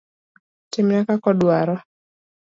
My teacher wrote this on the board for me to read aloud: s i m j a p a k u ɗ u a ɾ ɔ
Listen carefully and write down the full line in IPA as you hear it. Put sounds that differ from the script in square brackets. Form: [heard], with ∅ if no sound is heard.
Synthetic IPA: [t] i m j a [k] a k [ɔ] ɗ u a ɾ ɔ